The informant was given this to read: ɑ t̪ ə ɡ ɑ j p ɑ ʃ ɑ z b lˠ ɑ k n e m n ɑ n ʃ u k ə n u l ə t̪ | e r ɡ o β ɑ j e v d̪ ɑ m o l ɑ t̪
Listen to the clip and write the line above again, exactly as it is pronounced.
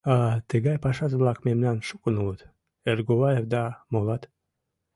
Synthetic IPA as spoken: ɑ t̪ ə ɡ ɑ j p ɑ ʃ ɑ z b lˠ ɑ k m e m n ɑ n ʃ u k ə n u l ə t̪ | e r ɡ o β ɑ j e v d̪ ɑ m o l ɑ t̪